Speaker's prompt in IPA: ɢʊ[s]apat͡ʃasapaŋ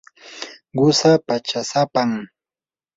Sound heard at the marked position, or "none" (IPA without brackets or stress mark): s